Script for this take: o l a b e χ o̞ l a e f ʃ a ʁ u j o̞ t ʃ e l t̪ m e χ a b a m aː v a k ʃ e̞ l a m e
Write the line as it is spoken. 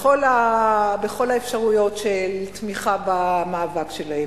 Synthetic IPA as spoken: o l a b e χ o̞ l a e f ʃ a ʁ u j o̞ t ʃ e l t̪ m i χ a b a m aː v a k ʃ e̞ l a e